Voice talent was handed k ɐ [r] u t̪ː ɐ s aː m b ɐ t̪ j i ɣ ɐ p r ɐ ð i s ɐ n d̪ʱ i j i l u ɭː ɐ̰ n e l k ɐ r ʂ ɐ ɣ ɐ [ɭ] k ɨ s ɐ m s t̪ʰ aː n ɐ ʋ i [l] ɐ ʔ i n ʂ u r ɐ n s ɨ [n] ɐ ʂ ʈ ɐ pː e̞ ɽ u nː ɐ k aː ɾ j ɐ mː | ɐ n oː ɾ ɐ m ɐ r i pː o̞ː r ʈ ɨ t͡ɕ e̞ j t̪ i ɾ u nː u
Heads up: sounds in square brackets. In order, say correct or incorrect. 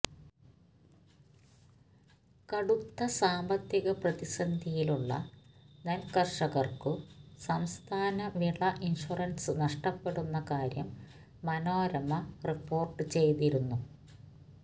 incorrect: ɽ, incorrect: r, incorrect: ɭ, correct

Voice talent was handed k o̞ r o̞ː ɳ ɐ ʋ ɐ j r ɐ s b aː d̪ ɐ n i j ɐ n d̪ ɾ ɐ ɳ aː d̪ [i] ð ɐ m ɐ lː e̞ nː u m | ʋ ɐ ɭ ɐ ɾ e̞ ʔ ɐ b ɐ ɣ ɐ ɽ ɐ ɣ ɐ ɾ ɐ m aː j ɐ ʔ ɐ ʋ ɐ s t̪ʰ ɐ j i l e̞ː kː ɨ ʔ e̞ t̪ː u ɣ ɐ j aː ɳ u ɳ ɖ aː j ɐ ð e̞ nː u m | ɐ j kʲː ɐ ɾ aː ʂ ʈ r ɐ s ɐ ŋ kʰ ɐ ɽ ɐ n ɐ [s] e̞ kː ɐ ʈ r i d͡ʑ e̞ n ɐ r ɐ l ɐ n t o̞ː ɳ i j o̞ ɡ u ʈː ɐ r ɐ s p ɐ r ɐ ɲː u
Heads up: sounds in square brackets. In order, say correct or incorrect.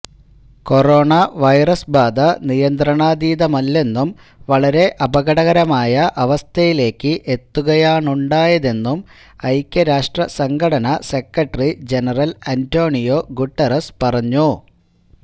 incorrect: iː, correct

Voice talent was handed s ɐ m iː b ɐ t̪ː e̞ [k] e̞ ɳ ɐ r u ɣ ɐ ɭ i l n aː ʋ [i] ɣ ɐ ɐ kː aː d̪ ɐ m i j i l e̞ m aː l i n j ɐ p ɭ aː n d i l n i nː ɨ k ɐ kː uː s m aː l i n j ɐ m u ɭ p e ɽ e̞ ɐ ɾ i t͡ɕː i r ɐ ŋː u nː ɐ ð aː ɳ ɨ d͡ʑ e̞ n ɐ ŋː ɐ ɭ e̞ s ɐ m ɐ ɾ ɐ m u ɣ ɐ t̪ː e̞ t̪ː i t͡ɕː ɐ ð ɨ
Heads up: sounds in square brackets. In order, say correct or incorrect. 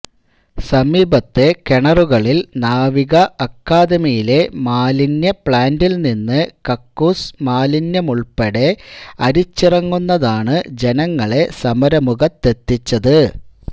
correct, correct

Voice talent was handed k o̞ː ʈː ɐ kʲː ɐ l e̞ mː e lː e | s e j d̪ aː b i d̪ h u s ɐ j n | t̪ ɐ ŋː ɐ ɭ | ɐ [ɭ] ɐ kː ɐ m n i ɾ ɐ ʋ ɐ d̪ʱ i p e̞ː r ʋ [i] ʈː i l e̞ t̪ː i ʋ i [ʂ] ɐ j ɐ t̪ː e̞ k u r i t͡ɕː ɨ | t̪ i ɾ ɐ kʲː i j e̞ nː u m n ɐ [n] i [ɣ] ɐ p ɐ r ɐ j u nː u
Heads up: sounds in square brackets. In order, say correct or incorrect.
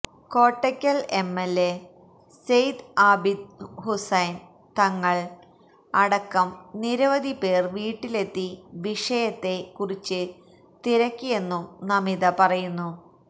incorrect: ɽ, incorrect: iː, correct, incorrect: m, incorrect: ð

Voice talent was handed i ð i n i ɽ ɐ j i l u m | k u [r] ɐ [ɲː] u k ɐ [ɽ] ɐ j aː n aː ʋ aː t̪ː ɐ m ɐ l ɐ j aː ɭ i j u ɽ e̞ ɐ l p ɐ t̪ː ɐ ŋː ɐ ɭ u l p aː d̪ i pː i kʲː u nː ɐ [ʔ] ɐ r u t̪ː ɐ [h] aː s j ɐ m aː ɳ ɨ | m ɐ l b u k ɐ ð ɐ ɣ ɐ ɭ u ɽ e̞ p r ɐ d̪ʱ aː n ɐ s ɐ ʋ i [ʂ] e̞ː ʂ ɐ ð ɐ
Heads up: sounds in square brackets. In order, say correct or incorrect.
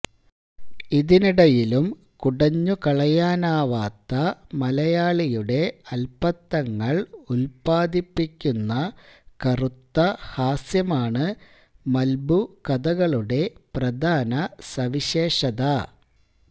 incorrect: ɽ, correct, incorrect: ɭ, incorrect: k, correct, incorrect: ɕ

